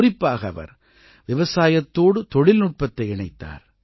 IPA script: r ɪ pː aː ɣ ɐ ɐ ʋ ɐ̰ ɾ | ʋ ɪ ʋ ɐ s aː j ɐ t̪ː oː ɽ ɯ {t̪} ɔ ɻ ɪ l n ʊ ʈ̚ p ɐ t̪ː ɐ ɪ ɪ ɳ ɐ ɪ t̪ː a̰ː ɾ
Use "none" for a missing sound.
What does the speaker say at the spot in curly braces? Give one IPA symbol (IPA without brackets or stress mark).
t̪